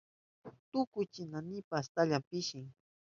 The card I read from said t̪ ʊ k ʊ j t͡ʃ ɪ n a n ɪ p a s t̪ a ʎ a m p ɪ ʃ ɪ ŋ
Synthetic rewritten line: t̪ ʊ k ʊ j t͡ʃ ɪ n a n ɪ p a s t̪ a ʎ a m p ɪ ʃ ɪ ŋ